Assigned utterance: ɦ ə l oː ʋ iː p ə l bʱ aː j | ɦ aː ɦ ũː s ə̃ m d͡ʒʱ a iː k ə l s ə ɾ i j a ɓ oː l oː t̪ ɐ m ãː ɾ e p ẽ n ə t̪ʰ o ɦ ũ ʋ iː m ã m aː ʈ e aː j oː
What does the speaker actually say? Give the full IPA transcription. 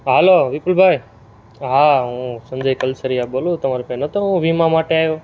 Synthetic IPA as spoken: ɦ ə l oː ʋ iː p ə l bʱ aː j | ɦ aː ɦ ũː s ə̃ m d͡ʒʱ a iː k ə l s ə ɾ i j a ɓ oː l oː t̪ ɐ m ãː ɾ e p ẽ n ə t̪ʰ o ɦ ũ ʋ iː m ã m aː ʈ e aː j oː